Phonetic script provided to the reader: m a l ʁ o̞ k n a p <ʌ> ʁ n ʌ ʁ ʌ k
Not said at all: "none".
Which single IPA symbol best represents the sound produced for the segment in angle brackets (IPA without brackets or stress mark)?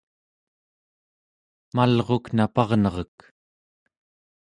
ɑ